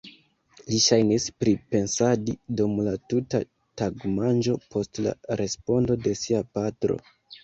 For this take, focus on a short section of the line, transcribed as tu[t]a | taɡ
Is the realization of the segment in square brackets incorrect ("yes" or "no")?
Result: no